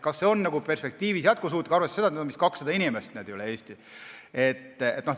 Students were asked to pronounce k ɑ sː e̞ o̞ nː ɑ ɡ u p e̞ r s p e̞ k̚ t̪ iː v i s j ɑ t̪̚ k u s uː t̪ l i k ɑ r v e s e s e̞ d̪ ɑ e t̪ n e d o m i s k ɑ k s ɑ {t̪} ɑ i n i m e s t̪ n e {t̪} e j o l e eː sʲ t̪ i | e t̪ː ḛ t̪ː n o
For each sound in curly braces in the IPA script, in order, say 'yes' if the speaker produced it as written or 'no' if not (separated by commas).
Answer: no, no